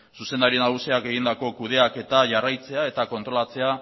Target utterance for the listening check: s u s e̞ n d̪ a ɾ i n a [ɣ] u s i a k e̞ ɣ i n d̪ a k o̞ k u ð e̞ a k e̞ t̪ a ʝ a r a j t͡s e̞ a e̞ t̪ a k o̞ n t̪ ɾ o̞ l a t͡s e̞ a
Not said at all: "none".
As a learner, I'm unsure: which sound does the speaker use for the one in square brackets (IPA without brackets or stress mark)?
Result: ɣ